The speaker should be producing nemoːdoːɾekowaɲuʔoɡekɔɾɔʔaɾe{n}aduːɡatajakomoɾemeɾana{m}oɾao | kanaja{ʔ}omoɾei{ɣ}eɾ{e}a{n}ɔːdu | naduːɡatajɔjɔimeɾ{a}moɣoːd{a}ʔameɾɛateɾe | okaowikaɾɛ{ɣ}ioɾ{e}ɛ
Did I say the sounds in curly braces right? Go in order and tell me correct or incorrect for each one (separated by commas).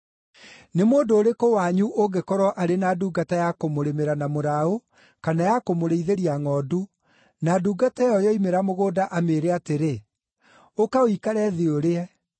correct, correct, incorrect, incorrect, incorrect, incorrect, correct, correct, incorrect, correct